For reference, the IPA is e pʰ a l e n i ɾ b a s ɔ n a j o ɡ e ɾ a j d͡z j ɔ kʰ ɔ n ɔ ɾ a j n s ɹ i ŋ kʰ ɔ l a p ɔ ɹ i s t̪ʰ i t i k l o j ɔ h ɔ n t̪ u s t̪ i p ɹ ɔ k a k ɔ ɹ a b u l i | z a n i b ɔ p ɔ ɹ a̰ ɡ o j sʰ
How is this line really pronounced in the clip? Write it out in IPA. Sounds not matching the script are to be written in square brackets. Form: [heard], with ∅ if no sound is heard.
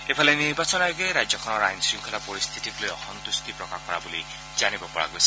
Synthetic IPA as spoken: e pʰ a l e n i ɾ b a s ɔ n a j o ɡ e ɾ a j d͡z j ɔ kʰ ɔ n ɔ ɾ a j n s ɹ i ŋ kʰ ɔ l a p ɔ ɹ i s t̪ʰ i t i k l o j ɔ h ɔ n t̪ u s t̪ i p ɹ ɔ k a k ɔ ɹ a b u l i | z a n i b ɔ p ɔ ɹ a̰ ɡ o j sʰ